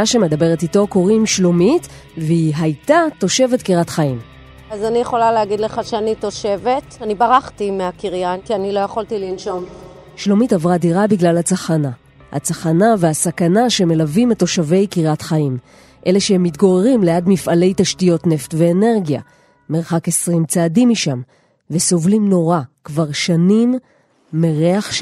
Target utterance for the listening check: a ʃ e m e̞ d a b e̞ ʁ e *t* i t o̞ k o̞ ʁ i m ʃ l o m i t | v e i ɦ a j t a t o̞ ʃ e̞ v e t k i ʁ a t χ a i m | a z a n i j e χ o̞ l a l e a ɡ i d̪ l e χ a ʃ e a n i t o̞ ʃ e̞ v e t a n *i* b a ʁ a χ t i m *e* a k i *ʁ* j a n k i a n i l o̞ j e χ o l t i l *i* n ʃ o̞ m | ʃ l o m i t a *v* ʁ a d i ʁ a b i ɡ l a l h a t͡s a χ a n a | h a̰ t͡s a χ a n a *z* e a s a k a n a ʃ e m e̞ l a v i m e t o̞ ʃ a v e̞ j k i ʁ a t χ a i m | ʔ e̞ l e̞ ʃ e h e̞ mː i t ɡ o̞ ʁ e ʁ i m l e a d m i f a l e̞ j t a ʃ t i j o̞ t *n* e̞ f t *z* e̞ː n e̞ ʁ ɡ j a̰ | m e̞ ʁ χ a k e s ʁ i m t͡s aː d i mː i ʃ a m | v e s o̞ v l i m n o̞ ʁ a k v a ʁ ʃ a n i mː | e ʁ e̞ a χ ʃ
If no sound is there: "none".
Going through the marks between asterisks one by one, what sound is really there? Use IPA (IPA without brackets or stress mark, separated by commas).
t, i, e, ʁ, i, v, v, n, v